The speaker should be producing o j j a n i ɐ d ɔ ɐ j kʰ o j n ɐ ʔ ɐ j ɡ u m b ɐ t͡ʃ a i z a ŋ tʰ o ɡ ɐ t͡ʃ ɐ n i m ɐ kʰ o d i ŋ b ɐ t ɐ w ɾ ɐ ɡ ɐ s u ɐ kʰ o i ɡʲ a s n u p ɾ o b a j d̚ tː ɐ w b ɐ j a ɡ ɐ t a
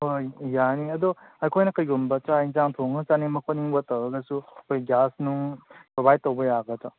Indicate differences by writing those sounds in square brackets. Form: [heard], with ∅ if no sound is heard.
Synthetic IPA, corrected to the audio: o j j a n i ɐ d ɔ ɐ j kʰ o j n ɐ [k] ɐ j ɡ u m b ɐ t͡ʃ a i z a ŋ tʰ o [ŋ] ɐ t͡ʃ [a] n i m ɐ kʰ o [n] i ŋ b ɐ t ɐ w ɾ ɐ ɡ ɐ s u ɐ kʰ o [j] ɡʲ a s n u p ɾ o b a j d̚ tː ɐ w b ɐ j a ɡ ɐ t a

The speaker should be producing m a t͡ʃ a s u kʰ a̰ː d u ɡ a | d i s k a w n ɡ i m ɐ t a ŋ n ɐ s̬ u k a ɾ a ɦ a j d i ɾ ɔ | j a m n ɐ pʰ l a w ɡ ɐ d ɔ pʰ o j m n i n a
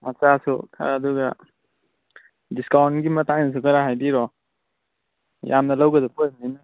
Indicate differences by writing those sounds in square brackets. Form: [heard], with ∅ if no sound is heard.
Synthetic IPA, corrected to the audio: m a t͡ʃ a s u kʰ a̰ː d u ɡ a | d i s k a w n ɡ i m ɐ t a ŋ n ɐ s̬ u k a ɾ a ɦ a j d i ɾ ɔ | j a m n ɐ [∅] l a w ɡ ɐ d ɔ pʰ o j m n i n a

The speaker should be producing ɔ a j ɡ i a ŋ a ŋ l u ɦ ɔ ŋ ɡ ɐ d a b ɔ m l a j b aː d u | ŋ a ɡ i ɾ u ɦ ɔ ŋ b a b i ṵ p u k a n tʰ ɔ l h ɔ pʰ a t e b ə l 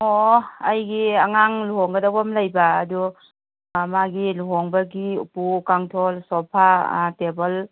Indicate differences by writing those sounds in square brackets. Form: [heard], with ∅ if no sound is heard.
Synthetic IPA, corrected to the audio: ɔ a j ɡ i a ŋ a ŋ l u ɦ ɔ ŋ ɡ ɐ d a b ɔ m l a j b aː d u | [m] a ɡ i [l] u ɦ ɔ ŋ b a [ɡ] i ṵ p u k a [ŋ] tʰ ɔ l [s] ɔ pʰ a t e b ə l

